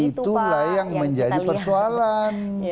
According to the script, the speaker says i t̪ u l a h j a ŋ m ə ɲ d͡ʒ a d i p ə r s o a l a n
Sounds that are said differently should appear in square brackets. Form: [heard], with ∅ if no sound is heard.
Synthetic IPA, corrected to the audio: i t̪ u l a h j a ŋ m ə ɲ d͡ʒ a d i p ə r s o a l a n